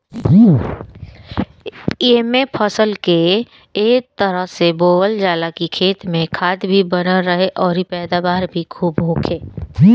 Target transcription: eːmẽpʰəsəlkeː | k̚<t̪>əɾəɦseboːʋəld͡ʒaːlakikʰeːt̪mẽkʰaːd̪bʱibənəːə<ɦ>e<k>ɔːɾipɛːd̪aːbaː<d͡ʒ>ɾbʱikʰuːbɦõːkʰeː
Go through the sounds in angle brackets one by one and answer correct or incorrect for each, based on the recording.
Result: correct, correct, incorrect: ʔ, incorrect: none

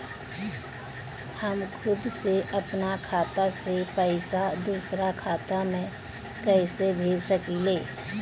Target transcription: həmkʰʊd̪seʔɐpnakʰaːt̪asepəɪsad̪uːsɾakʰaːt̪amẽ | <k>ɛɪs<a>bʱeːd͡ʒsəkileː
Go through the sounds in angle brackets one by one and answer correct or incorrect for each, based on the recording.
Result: correct, incorrect: e

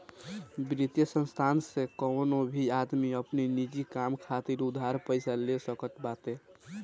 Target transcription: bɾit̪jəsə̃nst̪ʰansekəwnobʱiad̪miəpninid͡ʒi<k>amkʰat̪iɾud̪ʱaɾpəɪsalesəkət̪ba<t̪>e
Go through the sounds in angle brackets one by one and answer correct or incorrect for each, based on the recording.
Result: correct, correct

